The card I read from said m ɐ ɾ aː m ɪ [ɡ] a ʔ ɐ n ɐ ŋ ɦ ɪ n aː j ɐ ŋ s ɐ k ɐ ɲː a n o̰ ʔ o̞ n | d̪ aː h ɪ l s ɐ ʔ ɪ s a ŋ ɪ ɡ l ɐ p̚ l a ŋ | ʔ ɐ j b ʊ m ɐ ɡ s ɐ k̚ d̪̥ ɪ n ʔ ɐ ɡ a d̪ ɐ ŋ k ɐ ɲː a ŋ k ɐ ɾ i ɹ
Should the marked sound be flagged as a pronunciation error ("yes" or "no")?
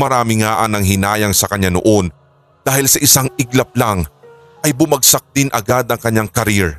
yes